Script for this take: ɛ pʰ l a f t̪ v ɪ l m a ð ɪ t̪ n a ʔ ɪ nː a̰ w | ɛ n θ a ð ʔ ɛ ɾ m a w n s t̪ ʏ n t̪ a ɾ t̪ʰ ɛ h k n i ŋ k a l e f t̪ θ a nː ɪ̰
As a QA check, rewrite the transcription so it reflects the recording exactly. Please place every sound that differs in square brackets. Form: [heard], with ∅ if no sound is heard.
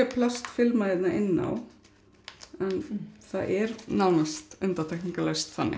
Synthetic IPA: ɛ pʰ l a [s] t̪ [f] ɪ l m a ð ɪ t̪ n a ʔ ɪ nː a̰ w | ɛ n θ a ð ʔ ɛ ɾ [n] a w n s t̪ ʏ n t̪ a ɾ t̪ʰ ɛ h k n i ŋ k a l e [s] t̪ θ a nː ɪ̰